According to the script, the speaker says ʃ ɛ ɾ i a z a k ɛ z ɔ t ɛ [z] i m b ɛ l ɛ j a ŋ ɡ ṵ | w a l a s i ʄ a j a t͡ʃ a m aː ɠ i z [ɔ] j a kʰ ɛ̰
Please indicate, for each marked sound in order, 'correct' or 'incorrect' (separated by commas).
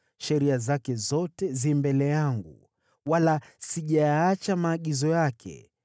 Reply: correct, correct